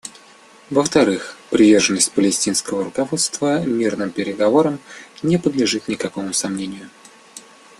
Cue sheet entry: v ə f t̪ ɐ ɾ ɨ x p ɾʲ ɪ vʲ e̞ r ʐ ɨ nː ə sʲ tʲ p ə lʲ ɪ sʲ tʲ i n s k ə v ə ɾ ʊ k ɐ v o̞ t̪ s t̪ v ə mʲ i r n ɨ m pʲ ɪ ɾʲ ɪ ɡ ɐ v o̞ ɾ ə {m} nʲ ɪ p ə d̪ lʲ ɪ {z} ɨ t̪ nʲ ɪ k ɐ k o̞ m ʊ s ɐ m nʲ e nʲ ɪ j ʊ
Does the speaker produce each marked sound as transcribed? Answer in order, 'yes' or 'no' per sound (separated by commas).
yes, no